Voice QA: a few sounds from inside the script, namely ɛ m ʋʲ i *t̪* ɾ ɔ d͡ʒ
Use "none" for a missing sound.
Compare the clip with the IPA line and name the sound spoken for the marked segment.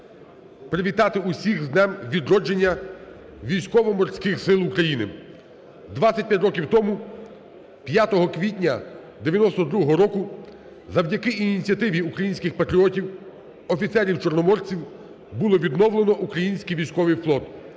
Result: d̪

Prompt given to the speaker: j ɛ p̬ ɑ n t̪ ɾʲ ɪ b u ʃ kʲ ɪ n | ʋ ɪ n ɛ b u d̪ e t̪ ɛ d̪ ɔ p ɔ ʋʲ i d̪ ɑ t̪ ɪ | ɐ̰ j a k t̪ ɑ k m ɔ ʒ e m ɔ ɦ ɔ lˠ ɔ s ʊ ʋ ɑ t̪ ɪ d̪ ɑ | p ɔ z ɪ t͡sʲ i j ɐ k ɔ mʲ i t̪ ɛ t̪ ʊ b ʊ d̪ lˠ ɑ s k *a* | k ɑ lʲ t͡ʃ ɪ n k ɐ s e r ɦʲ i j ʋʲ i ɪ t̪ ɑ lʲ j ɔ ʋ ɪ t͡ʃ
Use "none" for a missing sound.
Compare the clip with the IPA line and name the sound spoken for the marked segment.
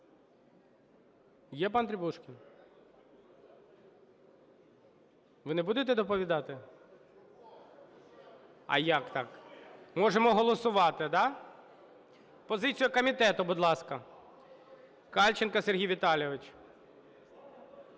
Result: ɐ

